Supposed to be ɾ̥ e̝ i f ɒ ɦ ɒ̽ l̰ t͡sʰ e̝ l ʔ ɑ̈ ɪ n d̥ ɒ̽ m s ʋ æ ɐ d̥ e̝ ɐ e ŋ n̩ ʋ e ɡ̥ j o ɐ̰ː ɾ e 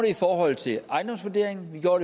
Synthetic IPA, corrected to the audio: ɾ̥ e̝ i f ɒː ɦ ɒ̽ l̰ t͡sʰ e̝ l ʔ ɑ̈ ɪ n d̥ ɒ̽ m s ʋ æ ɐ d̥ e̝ ɐ e ŋ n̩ ʋ i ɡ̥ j o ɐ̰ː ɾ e